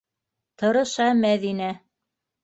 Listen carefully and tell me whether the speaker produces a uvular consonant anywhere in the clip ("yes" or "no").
no